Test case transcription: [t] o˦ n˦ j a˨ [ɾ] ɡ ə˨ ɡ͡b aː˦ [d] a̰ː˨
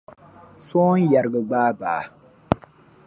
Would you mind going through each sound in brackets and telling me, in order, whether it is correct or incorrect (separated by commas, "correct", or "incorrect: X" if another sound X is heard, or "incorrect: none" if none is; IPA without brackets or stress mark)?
incorrect: s, correct, incorrect: b